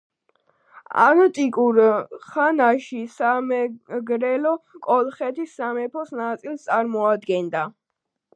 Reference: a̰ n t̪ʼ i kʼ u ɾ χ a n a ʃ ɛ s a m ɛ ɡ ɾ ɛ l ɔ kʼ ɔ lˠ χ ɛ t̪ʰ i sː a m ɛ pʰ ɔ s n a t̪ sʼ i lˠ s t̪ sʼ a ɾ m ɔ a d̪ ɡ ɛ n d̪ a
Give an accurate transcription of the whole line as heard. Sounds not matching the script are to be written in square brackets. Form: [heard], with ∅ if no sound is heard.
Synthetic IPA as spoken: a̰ n t̪ʼ i kʼ u ɾ χ a n a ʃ [i] s a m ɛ ɡ ɾ ɛ l ɔ kʼ ɔ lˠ χ ɛ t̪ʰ i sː a m ɛ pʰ ɔ s n a t̪ sʼ i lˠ s t̪ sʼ a ɾ m ɔ a d̪ ɡ ɛ n d̪ a

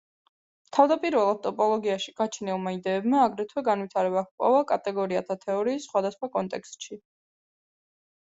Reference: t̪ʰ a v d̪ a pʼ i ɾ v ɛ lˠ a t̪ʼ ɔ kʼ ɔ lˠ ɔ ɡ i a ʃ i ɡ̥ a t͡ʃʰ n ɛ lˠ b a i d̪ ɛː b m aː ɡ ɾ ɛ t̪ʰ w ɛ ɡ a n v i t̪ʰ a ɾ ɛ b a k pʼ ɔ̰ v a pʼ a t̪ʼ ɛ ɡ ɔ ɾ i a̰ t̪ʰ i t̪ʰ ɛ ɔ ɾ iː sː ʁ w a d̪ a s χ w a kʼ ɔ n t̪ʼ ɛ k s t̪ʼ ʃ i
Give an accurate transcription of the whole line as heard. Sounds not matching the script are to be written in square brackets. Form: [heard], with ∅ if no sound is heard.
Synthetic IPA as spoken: t̪ʰ a v d̪ a pʼ i ɾ v ɛ lˠ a t̪ʼ ɔ [pʼ] ɔ lˠ ɔ ɡ i a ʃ i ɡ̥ a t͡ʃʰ n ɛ lˠ [m] a i d̪ ɛː b m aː ɡ ɾ ɛ t̪ʰ w ɛ ɡ a n v i t̪ʰ a ɾ ɛ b a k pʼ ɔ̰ v a [kʼ] a t̪ʼ ɛ ɡ ɔ ɾ i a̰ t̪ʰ [a] t̪ʰ ɛ ɔ ɾ iː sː [χ] w a d̪ a s χ w a kʼ ɔ n t̪ʼ ɛ k s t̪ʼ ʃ i

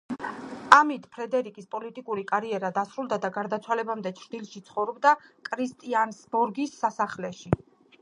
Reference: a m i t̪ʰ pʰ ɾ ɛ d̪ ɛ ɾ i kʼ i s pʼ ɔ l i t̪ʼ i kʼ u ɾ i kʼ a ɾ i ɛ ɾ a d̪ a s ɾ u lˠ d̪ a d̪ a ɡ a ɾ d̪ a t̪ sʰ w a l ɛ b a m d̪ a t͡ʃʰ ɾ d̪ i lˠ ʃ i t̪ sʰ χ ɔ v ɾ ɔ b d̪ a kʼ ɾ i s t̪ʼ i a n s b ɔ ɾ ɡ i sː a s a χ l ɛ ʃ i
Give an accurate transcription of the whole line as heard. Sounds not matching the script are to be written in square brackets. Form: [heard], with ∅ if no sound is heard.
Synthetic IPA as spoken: a m i t̪ʰ pʰ ɾ ɛ d̪ ɛ ɾ i kʼ i s pʼ ɔ l i t̪ʼ i kʼ u ɾ i kʼ a ɾ i ɛ ɾ a d̪ a s ɾ u lˠ d̪ a d̪ a ɡ a ɾ d̪ a t̪ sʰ w a l ɛ b a m d̪ [ɛ] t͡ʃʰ ɾ d̪ i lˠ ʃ i t̪ sʰ χ ɔ v ɾ ɔ b d̪ a kʼ ɾ i s t̪ʼ i a n s b ɔ ɾ ɡ i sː a s a χ l ɛ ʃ i

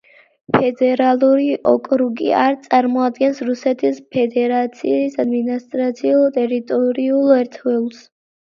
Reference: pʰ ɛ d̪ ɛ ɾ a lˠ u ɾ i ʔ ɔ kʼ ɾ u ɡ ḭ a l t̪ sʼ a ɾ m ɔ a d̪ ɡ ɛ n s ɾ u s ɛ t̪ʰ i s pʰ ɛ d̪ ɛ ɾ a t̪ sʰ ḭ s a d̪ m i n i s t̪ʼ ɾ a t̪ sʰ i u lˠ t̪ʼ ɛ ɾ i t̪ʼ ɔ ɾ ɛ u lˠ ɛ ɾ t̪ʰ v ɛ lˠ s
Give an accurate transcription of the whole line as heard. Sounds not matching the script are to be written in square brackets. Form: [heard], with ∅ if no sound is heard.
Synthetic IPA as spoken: pʰ ɛ d̪ ɛ ɾ a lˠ u ɾ i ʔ ɔ kʼ ɾ u ɡ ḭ a [ɾ] t̪ sʼ a ɾ m ɔ a d̪ ɡ ɛ n s ɾ u s ɛ t̪ʰ i s pʰ ɛ d̪ ɛ ɾ a t̪ sʰ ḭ s a d̪ m i n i s t̪ʼ ɾ a t̪ sʰ i u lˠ t̪ʼ ɛ ɾ i t̪ʼ ɔ ɾ [i] u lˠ ɛ ɾ t̪ʰ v ɛ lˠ s

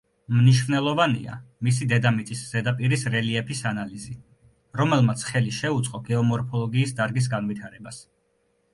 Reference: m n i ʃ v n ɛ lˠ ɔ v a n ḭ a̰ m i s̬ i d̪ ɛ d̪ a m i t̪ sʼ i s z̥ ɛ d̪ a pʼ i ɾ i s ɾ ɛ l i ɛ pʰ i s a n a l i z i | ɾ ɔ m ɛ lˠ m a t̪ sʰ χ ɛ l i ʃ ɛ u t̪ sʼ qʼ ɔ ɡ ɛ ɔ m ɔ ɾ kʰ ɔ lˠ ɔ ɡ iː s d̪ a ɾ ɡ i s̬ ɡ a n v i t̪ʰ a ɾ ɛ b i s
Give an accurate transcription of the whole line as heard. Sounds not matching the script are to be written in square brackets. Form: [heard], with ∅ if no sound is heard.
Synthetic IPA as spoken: m n i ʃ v n ɛ lˠ ɔ v a n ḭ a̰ m i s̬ i d̪ ɛ d̪ a m i t̪ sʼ i s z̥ ɛ d̪ a pʼ i ɾ i s ɾ ɛ l i ɛ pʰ i s a n a l i z i | ɾ ɔ m ɛ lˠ m a t̪ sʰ χ ɛ l i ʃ ɛ u t̪ sʼ qʼ ɔ ɡ ɛ ɔ m ɔ ɾ [pʰ] ɔ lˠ ɔ ɡ iː s d̪ a ɾ ɡ i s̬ ɡ a n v i t̪ʰ a ɾ ɛ b [a] s

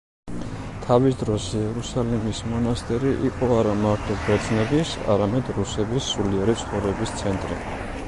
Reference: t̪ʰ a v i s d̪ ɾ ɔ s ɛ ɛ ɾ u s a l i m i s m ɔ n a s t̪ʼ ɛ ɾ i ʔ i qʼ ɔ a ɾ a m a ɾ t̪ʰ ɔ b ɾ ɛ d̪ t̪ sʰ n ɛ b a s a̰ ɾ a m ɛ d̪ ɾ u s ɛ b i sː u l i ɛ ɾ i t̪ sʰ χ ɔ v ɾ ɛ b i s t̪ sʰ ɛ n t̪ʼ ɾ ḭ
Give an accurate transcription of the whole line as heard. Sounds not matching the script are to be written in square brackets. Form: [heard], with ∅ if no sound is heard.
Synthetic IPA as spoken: t̪ʰ a v i s d̪ ɾ ɔ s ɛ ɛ ɾ u s a l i m i s m ɔ n a s t̪ʼ ɛ ɾ i ʔ i qʼ ɔ a ɾ a m a ɾ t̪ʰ ɔ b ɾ ɛ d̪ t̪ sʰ n ɛ b [i] s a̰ ɾ a m ɛ d̪ ɾ u s ɛ b i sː u l i ɛ ɾ i t̪ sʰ χ ɔ v ɾ ɛ b i s t̪ sʰ ɛ n t̪ʼ ɾ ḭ

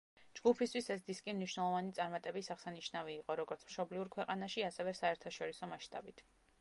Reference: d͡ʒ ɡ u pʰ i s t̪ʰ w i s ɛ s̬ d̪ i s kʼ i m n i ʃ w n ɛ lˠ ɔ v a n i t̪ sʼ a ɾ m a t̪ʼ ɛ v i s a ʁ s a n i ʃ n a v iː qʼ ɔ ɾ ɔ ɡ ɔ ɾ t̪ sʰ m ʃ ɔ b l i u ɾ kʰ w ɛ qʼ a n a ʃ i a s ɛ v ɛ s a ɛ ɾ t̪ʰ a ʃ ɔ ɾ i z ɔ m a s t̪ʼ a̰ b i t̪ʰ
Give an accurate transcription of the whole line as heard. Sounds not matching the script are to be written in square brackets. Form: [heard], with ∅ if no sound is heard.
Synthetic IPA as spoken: d͡ʒ ɡ u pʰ i s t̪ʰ w i s ɛ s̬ d̪ i s kʼ i m n i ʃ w n ɛ lˠ ɔ v a n i t̪ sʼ a ɾ m a t̪ʼ ɛ [b] i s a ʁ s a n i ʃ n a v iː qʼ ɔ ɾ ɔ ɡ ɔ ɾ t̪ sʰ m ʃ ɔ b l i u ɾ kʰ w ɛ qʼ a n a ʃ i a s ɛ v ɛ s a ɛ ɾ t̪ʰ a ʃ ɔ ɾ i [s] ɔ m a [ʃ] t̪ʼ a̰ b i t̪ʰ

